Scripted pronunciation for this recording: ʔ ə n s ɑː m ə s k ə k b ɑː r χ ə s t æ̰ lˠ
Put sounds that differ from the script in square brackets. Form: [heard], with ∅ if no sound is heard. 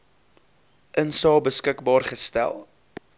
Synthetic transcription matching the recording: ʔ ə n s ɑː [b] ə s k ə k b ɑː r χ ə s t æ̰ lˠ